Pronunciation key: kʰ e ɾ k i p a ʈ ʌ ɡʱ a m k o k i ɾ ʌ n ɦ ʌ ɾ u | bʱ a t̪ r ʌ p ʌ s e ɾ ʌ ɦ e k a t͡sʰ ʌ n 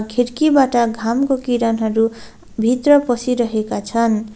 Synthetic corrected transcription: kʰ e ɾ k i b a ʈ ʌ ɡʱ a m k o k i ɾ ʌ n ɦ ʌ ɾ u | bʱ i t̪ r ʌ p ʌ s i ɾ ʌ ɦ e k a t͡sʰ ʌ n